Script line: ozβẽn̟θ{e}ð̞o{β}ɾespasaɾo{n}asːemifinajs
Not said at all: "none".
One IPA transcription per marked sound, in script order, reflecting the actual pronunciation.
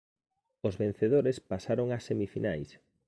e, none, ŋ

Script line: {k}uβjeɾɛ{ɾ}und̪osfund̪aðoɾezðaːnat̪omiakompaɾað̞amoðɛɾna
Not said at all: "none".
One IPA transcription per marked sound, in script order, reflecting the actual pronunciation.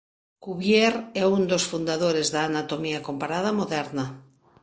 k, none

